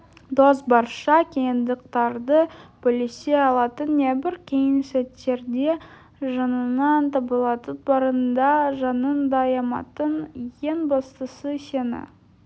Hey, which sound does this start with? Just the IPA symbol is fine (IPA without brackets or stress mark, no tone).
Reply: d̪